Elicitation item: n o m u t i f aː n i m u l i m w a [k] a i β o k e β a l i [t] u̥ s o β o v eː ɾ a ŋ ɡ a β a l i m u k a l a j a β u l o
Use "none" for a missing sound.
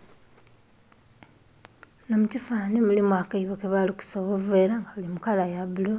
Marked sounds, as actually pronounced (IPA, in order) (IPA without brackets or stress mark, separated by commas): k, k